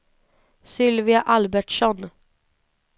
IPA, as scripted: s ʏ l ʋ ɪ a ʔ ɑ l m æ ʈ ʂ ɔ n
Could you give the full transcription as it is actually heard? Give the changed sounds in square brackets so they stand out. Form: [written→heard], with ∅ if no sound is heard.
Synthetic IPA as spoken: s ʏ l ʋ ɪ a ʔ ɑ l [m→b] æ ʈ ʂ ɔ n